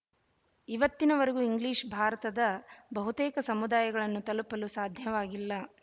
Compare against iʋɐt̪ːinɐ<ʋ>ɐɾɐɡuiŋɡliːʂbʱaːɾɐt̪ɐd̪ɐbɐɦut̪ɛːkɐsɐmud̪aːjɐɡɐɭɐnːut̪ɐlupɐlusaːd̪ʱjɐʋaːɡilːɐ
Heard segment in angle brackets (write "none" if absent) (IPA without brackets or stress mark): ʋ